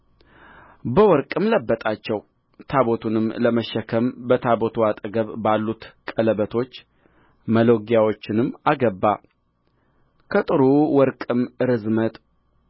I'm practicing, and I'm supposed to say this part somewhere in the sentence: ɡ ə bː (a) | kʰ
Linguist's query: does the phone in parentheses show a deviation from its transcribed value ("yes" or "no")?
no